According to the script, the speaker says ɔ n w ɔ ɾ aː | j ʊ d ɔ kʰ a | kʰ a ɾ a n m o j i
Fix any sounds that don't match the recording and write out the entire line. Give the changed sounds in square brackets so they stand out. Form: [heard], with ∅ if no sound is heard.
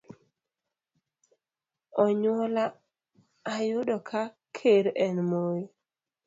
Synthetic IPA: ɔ [ɲ] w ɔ [l] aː | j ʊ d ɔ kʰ a | kʰ [e] ɾ [ɛ] n m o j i